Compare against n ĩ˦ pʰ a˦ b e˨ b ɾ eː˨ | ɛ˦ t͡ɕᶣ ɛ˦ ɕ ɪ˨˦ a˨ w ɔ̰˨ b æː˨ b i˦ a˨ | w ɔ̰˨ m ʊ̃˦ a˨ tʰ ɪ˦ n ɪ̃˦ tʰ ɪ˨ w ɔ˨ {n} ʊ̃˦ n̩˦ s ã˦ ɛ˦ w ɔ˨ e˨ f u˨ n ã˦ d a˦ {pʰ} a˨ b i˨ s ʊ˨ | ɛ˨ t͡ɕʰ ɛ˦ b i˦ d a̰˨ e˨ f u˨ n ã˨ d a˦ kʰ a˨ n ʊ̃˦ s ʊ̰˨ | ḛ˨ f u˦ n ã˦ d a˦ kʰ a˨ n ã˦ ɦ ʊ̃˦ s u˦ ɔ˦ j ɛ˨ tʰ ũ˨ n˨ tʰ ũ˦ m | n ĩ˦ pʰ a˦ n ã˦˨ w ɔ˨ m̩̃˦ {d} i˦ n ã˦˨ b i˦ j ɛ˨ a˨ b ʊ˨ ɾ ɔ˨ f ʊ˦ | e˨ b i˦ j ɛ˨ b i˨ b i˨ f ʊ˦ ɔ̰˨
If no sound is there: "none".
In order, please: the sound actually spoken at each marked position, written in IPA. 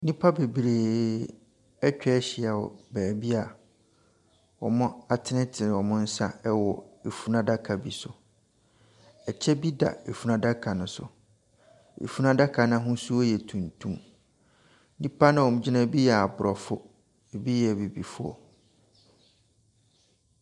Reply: m, kʰ, d͡ʑ

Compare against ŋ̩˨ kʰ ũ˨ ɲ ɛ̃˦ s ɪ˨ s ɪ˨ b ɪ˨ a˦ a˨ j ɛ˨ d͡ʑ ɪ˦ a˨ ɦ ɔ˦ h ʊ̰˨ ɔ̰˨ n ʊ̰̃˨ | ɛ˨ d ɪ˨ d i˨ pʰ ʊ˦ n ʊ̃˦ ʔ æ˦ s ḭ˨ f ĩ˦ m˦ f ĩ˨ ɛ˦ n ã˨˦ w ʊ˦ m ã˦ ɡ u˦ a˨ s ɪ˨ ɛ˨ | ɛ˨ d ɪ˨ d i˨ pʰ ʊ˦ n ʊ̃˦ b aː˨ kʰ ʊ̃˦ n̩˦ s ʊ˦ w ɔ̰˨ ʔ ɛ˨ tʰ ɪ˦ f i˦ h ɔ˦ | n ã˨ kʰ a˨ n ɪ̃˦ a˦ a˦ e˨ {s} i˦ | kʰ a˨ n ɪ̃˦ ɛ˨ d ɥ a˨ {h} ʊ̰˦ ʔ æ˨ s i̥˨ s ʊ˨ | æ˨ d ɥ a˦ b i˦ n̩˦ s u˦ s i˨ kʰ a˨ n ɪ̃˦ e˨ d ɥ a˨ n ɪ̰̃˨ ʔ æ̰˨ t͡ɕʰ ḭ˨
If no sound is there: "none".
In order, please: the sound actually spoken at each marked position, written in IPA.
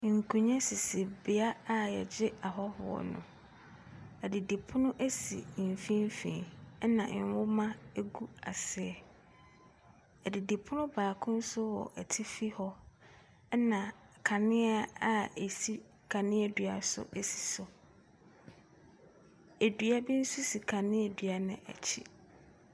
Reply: s, s

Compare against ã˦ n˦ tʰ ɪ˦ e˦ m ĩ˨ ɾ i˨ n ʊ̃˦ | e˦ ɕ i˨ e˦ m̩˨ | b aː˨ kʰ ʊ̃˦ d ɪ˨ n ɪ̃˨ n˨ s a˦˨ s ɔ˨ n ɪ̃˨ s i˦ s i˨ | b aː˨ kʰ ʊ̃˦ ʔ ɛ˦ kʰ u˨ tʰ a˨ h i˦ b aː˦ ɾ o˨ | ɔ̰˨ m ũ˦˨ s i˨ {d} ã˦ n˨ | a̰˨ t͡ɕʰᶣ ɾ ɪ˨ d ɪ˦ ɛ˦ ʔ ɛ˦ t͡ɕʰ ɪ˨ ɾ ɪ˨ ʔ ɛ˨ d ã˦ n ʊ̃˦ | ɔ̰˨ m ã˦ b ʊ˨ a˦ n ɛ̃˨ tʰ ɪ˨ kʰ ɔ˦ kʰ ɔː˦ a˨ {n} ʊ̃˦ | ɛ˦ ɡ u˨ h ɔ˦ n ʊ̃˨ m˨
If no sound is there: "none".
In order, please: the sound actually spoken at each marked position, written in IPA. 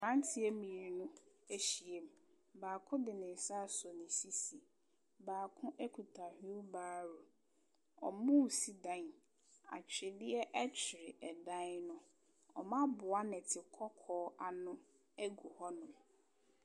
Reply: d, n

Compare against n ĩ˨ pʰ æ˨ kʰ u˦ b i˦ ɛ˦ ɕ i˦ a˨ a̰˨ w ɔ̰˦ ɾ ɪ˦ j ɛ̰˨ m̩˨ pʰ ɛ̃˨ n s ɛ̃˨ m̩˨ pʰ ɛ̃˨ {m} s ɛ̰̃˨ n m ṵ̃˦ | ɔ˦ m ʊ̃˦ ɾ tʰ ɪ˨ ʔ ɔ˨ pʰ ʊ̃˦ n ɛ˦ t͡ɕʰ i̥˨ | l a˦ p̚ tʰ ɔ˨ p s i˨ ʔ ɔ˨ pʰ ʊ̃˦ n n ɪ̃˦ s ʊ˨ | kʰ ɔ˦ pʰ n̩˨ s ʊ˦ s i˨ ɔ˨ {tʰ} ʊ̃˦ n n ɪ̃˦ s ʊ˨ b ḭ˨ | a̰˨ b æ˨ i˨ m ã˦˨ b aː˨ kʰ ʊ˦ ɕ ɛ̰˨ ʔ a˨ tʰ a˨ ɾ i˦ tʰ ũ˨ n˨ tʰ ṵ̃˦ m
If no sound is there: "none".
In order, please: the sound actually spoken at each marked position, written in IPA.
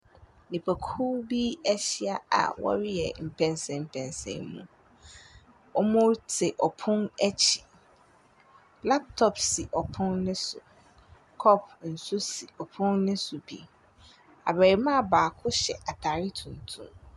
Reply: n, pʰ

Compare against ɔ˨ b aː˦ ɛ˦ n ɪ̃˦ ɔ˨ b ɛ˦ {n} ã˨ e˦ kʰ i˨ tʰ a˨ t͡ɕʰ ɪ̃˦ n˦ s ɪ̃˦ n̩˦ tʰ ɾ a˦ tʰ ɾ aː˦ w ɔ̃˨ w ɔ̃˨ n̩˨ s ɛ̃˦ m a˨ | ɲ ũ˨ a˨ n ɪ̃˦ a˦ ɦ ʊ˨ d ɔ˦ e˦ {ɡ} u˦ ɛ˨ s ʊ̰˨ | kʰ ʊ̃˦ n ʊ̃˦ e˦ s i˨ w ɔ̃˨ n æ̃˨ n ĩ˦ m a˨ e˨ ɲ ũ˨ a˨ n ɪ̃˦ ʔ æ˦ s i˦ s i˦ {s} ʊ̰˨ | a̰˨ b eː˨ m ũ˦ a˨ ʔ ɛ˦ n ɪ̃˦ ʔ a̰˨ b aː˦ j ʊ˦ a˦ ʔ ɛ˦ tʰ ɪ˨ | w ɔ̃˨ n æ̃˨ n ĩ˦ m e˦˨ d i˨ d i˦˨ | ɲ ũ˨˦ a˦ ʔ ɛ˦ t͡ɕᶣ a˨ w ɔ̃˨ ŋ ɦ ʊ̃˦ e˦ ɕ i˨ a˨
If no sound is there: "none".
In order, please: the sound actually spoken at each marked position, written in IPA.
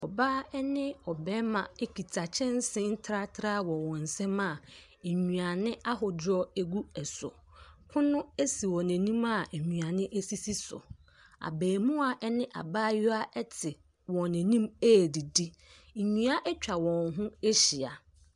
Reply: m, ɡ, s

